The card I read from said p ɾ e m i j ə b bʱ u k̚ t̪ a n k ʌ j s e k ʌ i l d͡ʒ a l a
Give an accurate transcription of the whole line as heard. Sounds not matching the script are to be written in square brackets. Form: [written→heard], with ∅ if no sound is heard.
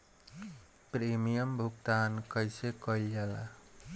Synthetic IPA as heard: p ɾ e m i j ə [b→m] bʱ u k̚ t̪ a n k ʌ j s e k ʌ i l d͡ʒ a l a

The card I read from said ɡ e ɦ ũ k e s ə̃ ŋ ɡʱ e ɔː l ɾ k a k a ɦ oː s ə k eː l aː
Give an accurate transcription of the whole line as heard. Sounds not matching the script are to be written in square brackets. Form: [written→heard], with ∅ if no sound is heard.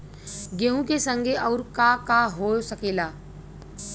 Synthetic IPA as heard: ɡ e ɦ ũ k e s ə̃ ŋ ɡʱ e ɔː [l→∅] ɾ k a k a ɦ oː s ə k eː l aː

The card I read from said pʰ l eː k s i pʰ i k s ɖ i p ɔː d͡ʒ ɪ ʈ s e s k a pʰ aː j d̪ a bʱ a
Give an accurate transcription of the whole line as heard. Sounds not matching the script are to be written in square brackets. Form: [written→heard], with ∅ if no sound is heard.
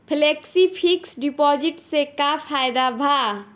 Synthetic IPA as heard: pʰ l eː k s i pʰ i k s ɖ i p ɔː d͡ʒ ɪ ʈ s e [s→∅] k a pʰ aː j d̪ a bʱ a

